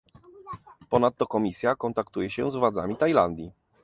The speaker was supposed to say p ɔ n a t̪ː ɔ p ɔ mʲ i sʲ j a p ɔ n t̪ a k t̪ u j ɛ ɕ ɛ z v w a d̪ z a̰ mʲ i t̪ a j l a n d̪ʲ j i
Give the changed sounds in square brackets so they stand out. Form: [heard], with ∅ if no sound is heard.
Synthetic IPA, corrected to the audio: p ɔ n a t̪ː ɔ [k] ɔ mʲ i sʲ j a [k] ɔ n t̪ a k t̪ u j ɛ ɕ ɛ z v w a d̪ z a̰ mʲ i t̪ a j l a n d̪ʲ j i